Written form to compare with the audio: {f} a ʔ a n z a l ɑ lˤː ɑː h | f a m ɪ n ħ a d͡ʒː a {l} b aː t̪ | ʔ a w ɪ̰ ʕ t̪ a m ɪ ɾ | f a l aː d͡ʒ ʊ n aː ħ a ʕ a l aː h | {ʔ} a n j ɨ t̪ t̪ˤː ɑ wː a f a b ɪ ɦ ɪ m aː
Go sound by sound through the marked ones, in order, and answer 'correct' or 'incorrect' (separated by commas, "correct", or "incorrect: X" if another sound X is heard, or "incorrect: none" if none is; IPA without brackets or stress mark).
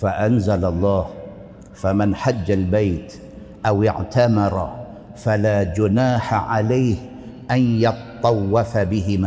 correct, correct, correct